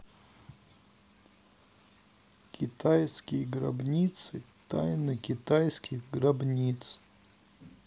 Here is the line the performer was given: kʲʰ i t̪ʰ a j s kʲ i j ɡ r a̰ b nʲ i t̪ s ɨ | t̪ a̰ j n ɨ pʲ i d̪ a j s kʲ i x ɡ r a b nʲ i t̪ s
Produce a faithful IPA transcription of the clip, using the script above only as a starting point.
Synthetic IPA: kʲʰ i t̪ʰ a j s kʲ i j ɡ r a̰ b nʲ i t̪ s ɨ | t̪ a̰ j n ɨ kʲ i t̪ a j s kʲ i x ɡ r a b nʲ i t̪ s